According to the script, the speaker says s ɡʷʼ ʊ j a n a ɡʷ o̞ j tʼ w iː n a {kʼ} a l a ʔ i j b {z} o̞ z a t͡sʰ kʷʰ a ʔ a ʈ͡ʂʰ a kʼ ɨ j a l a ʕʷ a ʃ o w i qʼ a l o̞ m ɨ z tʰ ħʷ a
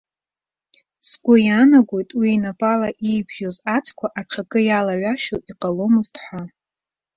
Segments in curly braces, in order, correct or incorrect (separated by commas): incorrect, incorrect